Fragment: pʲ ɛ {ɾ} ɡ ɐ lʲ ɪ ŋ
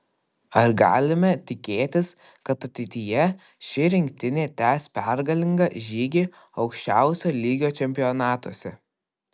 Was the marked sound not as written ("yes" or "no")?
no